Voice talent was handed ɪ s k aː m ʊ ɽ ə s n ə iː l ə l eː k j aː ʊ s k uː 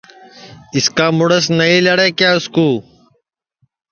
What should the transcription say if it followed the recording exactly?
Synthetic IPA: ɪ s k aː m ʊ ɽ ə s n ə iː l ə ɽ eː k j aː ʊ s k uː